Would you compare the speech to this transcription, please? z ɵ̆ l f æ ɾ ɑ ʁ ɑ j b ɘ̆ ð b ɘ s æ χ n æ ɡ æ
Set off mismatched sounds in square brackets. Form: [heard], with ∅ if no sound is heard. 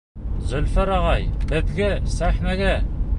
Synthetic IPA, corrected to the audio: z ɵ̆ l f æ ɾ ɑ ʁ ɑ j b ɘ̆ ð [ɡ] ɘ s æ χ n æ ɡ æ